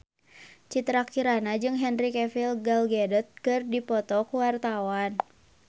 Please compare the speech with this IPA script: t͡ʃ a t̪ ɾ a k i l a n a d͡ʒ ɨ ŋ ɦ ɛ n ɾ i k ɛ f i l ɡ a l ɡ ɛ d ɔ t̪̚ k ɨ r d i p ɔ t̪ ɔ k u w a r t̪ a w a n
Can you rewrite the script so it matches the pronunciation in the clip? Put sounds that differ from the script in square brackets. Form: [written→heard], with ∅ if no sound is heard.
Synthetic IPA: t͡ʃ [a→i] t̪ ɾ a k i [l→ɾ] a n a d͡ʒ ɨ ŋ ɦ ɛ n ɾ i k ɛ f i l ɡ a l ɡ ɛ d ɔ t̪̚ k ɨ r d i p ɔ t̪ ɔ k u w a r t̪ a w a n